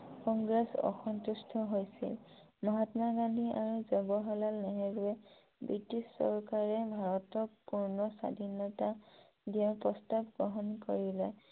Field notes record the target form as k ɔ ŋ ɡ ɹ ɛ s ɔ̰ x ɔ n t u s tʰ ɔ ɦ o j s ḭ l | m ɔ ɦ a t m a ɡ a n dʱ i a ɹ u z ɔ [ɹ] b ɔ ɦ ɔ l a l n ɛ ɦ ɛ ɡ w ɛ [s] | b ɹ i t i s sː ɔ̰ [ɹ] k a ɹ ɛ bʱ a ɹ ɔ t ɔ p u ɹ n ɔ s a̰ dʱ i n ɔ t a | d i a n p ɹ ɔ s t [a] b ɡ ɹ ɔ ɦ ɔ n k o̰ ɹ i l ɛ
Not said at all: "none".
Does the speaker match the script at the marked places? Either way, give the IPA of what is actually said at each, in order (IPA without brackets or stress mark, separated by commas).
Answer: none, none, ɹ, a